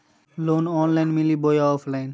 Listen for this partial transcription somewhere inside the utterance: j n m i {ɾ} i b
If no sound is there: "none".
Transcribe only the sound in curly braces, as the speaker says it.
l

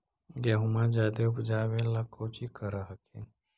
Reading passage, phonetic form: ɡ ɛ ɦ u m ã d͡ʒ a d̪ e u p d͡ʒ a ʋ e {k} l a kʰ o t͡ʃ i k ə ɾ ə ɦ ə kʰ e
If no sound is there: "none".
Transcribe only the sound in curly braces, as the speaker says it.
none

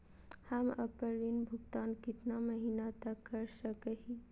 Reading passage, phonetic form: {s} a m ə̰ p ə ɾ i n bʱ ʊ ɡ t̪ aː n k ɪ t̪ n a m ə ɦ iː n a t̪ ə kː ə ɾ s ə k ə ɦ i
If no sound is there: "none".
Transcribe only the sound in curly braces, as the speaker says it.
h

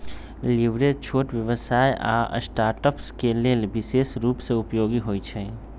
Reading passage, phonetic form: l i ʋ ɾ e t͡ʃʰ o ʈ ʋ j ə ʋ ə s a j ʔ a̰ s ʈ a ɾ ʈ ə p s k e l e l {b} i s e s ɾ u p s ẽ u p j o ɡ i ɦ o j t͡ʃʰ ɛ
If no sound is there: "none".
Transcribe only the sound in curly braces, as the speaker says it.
b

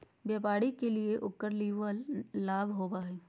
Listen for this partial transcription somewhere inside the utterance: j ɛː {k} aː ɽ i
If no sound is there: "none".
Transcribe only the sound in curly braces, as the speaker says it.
p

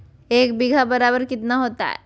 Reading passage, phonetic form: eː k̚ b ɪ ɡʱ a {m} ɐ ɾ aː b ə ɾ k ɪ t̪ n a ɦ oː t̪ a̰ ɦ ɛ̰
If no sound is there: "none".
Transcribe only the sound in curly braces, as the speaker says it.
b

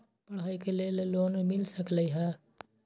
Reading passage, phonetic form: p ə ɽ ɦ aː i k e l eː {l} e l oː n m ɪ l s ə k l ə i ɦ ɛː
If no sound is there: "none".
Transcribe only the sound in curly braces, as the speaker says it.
l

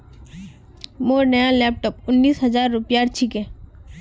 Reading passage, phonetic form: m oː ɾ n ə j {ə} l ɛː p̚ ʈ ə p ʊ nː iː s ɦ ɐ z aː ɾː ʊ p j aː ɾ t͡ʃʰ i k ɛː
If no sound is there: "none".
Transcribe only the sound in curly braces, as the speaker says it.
a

